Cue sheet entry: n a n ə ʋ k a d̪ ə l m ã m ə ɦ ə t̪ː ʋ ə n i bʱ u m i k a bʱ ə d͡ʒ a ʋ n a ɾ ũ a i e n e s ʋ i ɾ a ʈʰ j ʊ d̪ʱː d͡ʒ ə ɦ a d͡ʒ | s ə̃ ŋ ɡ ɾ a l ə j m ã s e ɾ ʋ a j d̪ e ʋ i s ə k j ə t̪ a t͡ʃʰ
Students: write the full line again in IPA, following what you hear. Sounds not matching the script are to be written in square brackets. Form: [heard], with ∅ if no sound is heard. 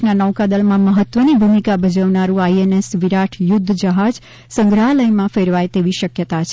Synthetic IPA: n a n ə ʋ k a d̪ ə l m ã m ə ɦ ə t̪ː ʋ ə n i bʱ u m i k a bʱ ə d͡ʒ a ʋ n a ɾ ũ a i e n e s ʋ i ɾ a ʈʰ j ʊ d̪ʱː d͡ʒ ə ɦ a d͡ʒ | s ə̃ ŋ ɡ ɾ a l ə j m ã [f] e ɾ ʋ a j [t̪] e ʋ i [ʃ] ə k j ə t̪ a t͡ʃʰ